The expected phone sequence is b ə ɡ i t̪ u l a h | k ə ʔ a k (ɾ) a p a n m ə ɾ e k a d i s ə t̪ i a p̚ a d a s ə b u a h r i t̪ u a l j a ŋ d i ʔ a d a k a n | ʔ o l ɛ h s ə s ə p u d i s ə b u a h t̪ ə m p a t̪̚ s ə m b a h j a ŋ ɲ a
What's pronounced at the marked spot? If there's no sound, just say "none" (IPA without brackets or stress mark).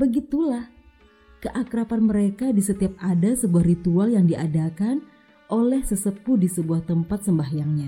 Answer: ɾ